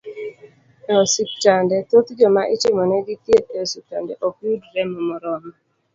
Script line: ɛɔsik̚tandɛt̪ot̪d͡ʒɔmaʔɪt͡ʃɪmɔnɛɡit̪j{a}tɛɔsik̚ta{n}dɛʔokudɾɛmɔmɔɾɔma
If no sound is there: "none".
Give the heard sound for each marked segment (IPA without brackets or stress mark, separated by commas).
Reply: e, n